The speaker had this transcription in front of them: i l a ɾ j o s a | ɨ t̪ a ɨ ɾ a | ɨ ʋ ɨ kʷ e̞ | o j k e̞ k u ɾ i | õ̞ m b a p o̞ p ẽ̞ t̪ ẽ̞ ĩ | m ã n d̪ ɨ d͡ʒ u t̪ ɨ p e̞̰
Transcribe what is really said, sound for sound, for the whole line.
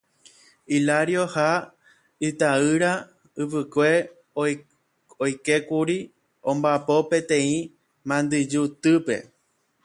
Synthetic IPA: i l a ɾ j o h a | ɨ t̪ a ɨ ɾ a | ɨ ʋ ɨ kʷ e̞ | o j k e̞ k u ɾ i | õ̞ m b a p o̞ p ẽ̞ t̪ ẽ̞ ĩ | m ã n d̪ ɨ d͡ʒ u t̪ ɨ p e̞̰